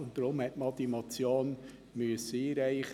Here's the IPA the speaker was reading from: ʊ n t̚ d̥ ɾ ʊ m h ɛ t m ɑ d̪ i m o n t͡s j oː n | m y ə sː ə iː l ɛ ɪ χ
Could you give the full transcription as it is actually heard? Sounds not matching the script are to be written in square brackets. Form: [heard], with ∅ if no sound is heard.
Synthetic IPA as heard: ʊ n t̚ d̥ ɾ ʊ m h ɛ t m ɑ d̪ i m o [∅] t͡s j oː n | m y ə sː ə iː [ɾ] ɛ ɪ χ

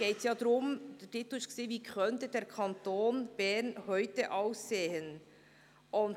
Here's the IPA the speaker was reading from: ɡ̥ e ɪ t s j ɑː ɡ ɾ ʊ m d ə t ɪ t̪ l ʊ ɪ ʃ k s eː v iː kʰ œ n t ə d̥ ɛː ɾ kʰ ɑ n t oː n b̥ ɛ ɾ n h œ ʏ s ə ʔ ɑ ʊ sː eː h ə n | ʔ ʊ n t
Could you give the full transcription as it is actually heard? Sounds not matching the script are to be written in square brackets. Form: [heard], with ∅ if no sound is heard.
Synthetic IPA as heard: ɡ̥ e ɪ t s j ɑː [d] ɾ ʊ m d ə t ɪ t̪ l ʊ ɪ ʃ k s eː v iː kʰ œ n t ə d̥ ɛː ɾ kʰ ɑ n t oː n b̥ ɛ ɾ n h œ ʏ [t] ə ʔ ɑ ʊ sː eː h ə n | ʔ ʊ n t

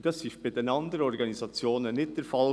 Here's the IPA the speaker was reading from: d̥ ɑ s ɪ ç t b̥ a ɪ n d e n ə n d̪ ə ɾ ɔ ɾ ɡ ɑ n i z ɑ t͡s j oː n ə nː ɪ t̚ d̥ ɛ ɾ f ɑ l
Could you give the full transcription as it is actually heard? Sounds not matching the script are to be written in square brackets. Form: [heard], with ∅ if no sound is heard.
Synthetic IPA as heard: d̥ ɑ s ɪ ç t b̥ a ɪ [∅] d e n [ɑ] n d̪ ə ɾ ɔ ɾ ɡ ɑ n i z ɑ t͡s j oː n ə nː ɪ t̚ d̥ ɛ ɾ f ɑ l

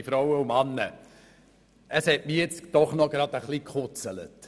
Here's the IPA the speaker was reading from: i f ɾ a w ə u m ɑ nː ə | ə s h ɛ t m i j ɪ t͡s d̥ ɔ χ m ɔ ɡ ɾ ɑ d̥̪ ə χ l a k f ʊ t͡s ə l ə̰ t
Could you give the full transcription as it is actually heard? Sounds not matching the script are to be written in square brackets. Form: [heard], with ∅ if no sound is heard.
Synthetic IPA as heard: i f ɾ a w ə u m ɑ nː ə | ə s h ɛ t m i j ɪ t͡s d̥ ɔ χ [n] ɔ ɡ ɾ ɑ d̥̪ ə χ l [i] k [χ] ʊ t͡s ə l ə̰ t

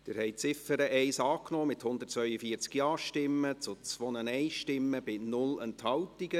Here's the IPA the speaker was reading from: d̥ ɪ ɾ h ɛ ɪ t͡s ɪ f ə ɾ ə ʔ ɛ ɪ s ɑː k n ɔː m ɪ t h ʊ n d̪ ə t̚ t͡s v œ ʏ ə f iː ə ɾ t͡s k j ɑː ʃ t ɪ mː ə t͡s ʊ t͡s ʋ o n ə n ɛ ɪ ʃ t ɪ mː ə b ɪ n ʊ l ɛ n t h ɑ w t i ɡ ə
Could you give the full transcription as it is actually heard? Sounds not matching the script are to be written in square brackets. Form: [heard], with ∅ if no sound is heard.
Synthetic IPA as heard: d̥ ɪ ɾ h ɛ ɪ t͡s ɪ f ə ɾ ə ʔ ɛ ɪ s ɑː k n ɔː m ɪ t h ʊ n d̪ ə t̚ t͡s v œ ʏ ə f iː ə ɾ t͡s k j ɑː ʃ t ɪ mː ə t͡s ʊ t͡s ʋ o n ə n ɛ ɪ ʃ t ɪ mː ə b ɪ n ʊ l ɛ n t h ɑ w t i ɡ ə

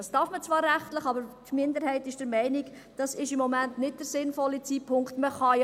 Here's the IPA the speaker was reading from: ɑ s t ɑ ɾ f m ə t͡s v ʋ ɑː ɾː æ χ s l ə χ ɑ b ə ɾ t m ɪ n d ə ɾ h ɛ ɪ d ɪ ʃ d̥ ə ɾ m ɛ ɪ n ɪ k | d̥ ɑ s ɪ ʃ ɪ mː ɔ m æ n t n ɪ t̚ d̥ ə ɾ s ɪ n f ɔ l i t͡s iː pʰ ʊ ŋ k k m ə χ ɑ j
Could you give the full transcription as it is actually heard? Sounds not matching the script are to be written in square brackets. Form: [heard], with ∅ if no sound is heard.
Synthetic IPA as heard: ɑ s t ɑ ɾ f m ə t͡s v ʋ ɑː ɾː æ χ [t] l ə χ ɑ b ə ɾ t m ɪ n d ə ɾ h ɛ ɪ [t] ɪ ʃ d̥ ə ɾ m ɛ ɪ n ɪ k | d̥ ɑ s ɪ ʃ ɪ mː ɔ m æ n t n ɪ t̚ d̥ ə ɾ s ɪ n f ɔ l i t͡s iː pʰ ʊ ŋ k [t] m ə χ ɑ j

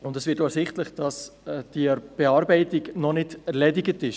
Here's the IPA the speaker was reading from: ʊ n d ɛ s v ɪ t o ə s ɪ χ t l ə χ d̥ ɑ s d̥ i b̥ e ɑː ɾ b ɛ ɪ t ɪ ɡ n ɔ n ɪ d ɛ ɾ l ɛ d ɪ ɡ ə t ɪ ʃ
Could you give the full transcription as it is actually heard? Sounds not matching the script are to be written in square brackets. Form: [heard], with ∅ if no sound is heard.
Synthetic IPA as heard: ʊ n d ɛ s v ɪ t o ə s ɪ χ t l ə χ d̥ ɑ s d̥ i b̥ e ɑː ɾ b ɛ ɪ t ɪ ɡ n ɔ n ɪ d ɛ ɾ l ɛ d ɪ ɡ ə t ɪ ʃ

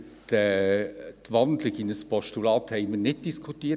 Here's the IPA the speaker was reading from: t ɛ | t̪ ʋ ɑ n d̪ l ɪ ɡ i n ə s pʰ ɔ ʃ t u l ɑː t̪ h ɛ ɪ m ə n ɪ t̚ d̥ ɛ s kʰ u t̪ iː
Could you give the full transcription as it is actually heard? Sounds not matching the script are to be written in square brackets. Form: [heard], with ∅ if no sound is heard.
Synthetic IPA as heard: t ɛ | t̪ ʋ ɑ n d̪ l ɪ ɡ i n ə s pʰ ɔ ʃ t u l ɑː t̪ h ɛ ɪ m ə n ɪ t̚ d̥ [i] s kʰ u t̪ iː

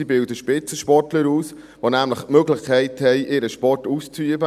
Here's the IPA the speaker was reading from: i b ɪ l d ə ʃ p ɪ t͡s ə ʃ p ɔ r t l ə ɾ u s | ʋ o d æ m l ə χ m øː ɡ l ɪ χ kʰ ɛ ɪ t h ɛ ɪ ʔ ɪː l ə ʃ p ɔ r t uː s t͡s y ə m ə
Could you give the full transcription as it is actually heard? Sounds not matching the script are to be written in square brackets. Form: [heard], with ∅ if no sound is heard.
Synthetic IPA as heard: i b ɪ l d ə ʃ p ɪ t͡s ə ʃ p ɔ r t l ə ɾ [uː] s | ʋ o [n] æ m l ə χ m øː ɡ l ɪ χ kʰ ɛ ɪ t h ɛ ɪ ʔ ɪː [ɾ] ə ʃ p ɔ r t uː s t͡s y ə [b] ə

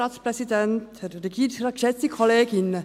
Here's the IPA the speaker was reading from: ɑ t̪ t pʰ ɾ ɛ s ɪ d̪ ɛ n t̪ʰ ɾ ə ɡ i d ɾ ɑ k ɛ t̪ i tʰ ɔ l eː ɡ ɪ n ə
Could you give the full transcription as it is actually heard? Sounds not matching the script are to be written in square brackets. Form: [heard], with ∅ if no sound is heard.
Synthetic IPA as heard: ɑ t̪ [s] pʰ ɾ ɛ s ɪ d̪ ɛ n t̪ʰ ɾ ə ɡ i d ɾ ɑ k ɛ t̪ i [kʰ] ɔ l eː ɡ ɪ n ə

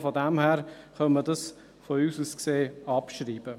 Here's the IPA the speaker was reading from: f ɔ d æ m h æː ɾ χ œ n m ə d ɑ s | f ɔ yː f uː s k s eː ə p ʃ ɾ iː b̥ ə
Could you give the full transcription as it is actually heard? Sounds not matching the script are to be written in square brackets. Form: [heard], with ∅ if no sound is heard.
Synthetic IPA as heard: f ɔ d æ m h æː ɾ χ œ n m ə d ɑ s | f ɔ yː [s] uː s k s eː [ɑ] p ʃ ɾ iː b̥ ə

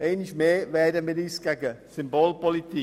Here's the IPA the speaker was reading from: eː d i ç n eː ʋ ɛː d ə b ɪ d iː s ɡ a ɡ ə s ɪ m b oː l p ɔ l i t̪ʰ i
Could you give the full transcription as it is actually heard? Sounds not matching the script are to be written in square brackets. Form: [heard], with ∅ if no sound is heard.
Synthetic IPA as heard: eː [n] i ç [m] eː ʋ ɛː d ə [m] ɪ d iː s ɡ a ɡ ə s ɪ m b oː l p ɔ l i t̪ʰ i

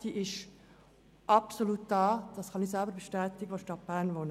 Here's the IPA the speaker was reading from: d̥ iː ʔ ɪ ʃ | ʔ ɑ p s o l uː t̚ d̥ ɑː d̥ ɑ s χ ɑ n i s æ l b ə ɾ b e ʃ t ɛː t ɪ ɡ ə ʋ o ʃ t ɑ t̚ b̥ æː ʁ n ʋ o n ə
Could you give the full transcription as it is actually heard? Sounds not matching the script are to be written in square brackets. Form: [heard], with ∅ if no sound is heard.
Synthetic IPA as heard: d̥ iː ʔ ɪ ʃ | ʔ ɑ p s o l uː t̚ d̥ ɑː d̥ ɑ s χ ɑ n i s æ l b ə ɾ b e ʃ t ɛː t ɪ ɡ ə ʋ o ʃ t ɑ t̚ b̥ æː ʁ n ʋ o n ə

